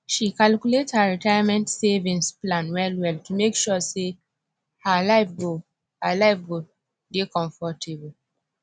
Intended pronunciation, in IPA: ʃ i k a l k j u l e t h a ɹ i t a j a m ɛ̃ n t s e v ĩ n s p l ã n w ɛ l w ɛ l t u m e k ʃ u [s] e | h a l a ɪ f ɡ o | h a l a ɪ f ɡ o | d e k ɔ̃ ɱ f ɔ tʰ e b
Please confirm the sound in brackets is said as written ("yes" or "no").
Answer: yes